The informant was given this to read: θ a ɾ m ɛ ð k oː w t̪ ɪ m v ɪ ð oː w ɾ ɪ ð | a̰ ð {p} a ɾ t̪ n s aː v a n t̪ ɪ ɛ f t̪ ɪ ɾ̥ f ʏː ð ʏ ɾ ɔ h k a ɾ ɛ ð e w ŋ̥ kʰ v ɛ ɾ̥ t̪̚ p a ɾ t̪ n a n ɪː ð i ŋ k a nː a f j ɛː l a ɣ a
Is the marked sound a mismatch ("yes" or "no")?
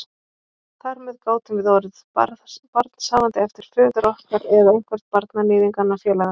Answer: no